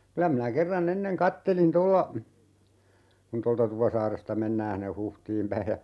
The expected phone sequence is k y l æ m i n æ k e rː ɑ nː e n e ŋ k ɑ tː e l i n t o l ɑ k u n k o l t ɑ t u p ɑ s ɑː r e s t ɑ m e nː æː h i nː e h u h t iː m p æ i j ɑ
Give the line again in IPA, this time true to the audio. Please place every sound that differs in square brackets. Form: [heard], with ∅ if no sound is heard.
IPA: k y l æ m i n æ k e rː ɑ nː e [nː] e ŋ k ɑ tː e l i n t o [lː] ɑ k u n [t] o l t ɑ t u p ɑ s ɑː r e s t ɑ m e nː æː h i nː e h u h t iː m p æ i j ɑ